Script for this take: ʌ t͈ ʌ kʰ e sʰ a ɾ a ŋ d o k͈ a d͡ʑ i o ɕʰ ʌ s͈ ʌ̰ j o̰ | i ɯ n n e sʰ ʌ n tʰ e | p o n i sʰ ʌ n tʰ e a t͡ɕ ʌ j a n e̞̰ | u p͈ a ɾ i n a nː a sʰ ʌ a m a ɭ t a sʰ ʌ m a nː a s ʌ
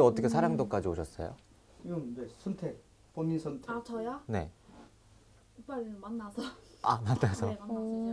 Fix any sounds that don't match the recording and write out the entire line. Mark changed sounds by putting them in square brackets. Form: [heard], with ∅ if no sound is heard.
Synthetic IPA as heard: ʌ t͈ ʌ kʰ e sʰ a ɾ a ŋ d o k͈ a d͡ʑ i o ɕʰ ʌ s͈ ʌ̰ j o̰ | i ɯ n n e sʰ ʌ n tʰ e | p o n i sʰ ʌ n tʰ e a t͡ɕ ʌ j a n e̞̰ | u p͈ a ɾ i [m] a nː a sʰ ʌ a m a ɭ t a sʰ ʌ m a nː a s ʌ